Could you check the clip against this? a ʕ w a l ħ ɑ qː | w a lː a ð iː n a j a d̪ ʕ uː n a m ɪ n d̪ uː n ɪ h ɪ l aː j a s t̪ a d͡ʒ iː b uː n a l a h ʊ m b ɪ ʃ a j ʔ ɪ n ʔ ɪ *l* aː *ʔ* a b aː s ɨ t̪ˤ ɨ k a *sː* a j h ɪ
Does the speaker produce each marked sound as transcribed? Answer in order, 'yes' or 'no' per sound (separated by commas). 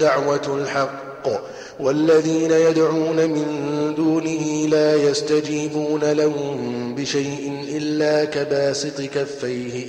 no, no, no